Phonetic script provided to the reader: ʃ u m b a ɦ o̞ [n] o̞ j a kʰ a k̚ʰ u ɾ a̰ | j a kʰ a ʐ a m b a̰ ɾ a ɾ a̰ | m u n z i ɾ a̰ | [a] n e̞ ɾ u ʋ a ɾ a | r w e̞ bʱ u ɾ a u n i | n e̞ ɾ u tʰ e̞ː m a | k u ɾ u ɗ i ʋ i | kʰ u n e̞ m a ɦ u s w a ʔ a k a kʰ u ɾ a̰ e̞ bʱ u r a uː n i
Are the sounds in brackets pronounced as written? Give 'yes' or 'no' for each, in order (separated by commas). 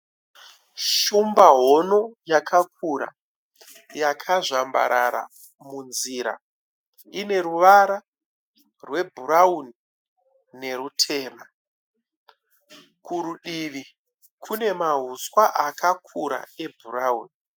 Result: yes, no